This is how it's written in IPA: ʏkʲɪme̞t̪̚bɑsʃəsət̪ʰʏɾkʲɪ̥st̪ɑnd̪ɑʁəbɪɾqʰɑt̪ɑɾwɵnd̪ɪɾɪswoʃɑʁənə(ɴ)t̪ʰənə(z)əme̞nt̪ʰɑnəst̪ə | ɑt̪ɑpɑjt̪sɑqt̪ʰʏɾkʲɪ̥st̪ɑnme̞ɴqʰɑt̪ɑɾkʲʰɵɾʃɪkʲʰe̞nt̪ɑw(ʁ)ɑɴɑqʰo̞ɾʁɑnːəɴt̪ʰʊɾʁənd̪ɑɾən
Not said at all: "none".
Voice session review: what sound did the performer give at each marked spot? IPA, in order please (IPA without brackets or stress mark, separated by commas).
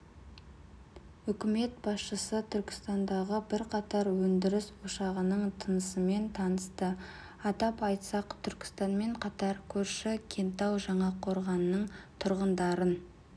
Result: ɴ, s, ʒ